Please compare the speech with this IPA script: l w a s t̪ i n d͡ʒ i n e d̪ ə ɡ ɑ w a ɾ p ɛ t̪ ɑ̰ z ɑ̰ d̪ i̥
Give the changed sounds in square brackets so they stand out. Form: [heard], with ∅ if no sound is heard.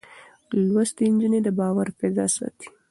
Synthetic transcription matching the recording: l w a s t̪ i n d͡ʒ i n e d̪ ə [b] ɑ w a ɾ p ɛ [d̪] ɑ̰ [s] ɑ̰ [t̪] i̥